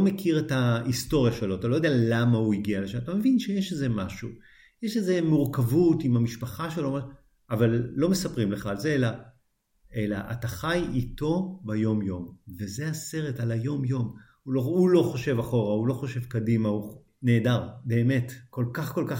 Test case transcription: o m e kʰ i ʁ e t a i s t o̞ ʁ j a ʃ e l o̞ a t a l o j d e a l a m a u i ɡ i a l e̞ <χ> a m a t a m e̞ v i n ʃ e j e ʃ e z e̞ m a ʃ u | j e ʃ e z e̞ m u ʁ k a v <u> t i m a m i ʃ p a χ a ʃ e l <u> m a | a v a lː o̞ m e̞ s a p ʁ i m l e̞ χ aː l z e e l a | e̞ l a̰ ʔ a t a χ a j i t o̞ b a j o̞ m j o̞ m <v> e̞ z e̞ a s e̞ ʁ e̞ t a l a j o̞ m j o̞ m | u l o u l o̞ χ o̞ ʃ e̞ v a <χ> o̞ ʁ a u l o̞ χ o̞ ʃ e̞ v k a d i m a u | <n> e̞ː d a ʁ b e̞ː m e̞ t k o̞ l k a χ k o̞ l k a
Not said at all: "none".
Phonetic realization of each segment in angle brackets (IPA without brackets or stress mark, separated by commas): ʃ, u, o, v, χ, n